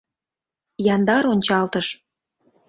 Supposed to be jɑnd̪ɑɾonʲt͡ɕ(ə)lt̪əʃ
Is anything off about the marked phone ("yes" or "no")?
yes